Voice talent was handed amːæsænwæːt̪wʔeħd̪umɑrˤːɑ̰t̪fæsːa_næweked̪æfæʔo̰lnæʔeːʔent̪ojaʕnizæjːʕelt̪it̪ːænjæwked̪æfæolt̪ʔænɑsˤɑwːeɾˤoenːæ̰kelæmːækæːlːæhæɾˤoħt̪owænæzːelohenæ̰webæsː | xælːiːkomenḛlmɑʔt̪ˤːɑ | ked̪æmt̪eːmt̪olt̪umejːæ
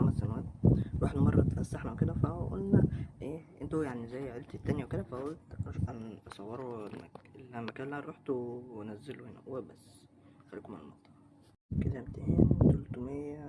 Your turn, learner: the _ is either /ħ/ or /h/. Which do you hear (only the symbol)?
ħ